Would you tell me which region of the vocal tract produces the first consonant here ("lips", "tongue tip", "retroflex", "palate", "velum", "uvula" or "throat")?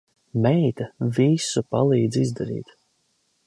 lips